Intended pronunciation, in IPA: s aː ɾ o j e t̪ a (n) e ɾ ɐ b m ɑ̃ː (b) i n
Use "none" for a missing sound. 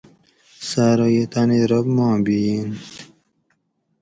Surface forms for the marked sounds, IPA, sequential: n, b

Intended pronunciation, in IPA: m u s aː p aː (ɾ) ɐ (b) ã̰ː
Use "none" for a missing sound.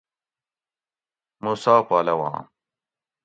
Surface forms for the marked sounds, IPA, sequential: l, w

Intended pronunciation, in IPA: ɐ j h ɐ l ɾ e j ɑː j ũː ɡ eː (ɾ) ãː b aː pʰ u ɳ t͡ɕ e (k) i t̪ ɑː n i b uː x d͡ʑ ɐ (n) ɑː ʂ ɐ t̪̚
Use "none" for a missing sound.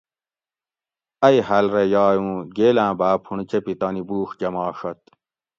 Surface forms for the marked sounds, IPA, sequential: l, p, m

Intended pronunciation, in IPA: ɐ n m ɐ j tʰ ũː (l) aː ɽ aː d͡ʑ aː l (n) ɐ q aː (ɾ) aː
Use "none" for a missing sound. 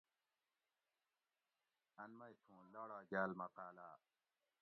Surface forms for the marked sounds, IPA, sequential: l, m, l

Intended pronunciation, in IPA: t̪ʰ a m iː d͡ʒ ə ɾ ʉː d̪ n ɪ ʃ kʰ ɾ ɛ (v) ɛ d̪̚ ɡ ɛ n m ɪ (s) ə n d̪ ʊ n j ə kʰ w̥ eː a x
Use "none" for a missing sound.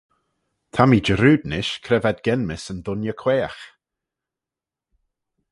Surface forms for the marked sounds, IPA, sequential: v, s

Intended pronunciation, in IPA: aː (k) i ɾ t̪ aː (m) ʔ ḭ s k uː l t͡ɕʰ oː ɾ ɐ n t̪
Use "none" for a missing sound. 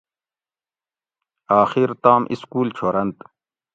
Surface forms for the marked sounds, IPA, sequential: x, m

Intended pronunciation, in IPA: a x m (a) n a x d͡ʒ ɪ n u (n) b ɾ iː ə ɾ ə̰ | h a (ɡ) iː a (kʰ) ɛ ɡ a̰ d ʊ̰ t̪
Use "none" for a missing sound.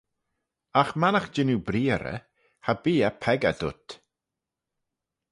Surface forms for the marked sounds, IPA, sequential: a, none, b, pʰ

